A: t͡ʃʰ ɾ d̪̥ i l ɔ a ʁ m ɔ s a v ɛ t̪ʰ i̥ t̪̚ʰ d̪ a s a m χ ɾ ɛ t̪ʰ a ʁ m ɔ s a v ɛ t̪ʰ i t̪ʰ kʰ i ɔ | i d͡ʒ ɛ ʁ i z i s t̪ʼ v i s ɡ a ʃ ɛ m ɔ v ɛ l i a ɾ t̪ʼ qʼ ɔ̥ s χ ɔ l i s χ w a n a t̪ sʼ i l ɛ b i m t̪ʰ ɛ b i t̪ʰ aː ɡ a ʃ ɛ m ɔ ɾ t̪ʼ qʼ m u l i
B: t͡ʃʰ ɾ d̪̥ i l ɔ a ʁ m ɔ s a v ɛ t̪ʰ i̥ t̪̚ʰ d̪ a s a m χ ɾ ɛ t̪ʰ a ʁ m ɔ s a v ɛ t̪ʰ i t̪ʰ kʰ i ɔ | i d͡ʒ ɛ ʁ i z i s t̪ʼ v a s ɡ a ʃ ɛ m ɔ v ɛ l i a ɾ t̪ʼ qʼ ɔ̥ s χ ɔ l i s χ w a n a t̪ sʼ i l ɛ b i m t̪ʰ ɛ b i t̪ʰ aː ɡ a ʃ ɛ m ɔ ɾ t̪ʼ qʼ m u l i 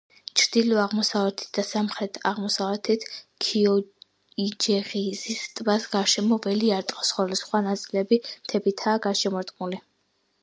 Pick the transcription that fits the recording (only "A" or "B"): B